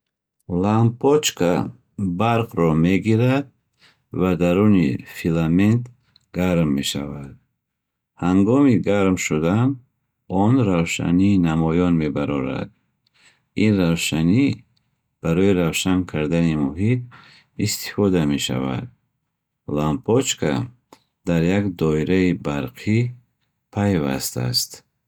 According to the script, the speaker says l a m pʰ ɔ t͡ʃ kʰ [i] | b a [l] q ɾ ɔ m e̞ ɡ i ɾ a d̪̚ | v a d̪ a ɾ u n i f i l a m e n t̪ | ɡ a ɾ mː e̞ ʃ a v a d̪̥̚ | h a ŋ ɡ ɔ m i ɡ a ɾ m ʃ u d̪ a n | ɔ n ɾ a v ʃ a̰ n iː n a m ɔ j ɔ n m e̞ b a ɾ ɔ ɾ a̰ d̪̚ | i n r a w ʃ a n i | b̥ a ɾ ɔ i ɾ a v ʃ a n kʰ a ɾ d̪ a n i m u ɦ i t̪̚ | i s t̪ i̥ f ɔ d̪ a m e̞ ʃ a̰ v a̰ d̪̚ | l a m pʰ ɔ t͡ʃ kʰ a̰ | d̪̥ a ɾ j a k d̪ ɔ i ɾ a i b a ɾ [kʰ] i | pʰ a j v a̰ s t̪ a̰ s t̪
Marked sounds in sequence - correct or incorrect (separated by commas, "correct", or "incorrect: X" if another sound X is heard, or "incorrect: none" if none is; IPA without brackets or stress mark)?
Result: incorrect: a, incorrect: ɾ, incorrect: qʰ